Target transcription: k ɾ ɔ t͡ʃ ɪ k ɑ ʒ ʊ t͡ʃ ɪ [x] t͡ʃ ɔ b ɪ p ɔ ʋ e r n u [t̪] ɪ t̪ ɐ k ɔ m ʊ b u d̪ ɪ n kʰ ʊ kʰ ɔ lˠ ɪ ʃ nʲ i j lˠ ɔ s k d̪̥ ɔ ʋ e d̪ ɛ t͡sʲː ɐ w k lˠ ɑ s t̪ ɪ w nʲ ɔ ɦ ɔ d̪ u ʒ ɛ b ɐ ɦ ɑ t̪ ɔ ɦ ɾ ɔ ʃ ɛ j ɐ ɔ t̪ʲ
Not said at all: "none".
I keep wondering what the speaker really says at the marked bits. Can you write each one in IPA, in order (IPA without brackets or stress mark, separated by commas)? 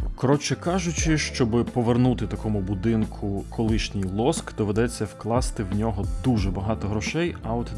ʃ, t̪